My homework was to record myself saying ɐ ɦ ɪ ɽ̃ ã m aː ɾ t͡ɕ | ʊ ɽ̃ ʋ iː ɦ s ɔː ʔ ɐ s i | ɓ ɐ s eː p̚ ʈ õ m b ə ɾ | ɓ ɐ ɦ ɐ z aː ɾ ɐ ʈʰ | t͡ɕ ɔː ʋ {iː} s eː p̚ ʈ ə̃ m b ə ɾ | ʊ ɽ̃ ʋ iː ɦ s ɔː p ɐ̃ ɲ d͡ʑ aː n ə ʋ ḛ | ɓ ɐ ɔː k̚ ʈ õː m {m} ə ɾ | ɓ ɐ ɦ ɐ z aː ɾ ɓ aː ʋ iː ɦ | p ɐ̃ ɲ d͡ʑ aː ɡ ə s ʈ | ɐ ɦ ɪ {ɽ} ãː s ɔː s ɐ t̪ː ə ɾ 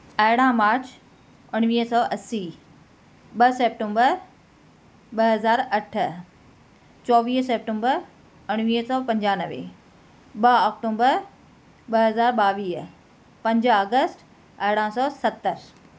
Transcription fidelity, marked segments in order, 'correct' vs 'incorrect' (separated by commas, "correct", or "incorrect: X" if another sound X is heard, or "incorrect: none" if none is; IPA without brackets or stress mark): correct, incorrect: b, correct